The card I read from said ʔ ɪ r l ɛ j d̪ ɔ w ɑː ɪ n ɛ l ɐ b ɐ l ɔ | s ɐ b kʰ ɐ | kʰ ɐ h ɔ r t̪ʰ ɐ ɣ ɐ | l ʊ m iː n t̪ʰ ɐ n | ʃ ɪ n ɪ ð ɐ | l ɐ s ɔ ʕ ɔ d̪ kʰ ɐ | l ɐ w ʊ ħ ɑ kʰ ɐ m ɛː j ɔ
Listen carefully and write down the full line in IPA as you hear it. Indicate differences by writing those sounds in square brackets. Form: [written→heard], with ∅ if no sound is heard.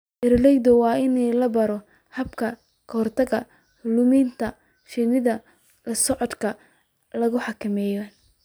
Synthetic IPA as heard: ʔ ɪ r l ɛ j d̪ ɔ w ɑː ɪ n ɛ l ɐ b ɐ [l→ɾ] ɔ | [s→h] ɐ b kʰ ɐ | kʰ ɐ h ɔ r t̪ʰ ɐ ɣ ɐ | l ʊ m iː n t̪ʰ ɐ [n→∅] | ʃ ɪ n ɪ ð ɐ | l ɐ s ɔ ʕ ɔ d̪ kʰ ɐ | l ɐ [w→ɣ] ʊ ħ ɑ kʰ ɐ m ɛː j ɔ

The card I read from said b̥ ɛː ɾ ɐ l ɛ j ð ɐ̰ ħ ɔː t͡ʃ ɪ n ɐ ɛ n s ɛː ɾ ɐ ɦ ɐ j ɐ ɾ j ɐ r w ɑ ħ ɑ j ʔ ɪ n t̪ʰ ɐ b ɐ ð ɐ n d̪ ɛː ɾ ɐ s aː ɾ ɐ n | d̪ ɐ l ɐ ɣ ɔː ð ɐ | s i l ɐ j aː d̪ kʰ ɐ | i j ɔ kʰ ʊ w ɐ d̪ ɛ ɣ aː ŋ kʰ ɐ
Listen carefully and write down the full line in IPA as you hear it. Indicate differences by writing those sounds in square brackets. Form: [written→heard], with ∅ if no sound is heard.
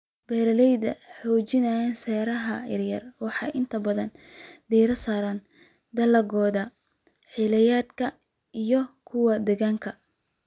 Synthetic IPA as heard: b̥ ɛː ɾ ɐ l ɛ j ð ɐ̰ ħ ɔː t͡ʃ ɪ n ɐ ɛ n s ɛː ɾ ɐ ɦ ɐ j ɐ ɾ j ɐ r w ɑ ħ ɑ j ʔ ɪ n t̪ʰ ɐ b ɐ ð ɐ n d̪ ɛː ɾ ɐ s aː ɾ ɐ n | d̪ ɐ l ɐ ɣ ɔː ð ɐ | [s→ħ] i l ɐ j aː d̪ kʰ ɐ | i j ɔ kʰ ʊ w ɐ d̪ ɛ ɣ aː ŋ kʰ ɐ

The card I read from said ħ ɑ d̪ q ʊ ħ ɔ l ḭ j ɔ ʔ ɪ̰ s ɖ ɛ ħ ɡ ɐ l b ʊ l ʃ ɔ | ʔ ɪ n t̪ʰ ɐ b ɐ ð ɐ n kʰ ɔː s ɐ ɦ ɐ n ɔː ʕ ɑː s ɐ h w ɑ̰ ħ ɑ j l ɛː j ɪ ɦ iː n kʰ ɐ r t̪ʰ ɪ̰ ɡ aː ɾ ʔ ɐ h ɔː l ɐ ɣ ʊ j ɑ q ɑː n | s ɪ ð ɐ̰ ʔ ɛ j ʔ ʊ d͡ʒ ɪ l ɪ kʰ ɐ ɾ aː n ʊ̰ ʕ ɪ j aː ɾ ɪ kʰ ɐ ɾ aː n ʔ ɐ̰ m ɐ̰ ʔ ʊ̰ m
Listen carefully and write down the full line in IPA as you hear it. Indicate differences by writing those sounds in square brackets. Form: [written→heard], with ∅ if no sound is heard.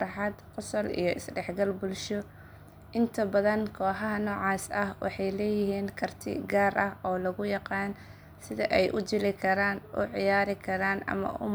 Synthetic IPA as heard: ħ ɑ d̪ q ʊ [ħ→s] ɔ l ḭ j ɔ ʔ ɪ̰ s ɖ ɛ ħ ɡ ɐ l b ʊ l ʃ ɔ | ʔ ɪ n t̪ʰ ɐ b ɐ ð ɐ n kʰ ɔː [s→ħ] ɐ ɦ ɐ n ɔː ʕ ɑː s ɐ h w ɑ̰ ħ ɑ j l ɛː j ɪ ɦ iː n kʰ ɐ r t̪ʰ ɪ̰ ɡ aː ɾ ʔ ɐ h ɔː l ɐ ɣ ʊ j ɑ q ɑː n | s ɪ ð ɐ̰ ʔ ɛ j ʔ ʊ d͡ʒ ɪ l ɪ kʰ ɐ ɾ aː n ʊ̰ ʕ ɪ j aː ɾ ɪ kʰ ɐ ɾ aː n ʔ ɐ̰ m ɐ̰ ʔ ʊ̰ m

